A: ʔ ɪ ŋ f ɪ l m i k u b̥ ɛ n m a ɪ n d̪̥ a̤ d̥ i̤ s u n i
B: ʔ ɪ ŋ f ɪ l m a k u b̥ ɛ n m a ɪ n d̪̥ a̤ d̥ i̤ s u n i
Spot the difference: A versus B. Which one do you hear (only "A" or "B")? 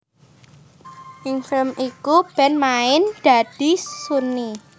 A